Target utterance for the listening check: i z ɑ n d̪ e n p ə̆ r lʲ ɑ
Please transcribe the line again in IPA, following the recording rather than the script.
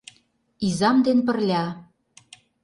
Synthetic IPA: i z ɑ m d̪ e n p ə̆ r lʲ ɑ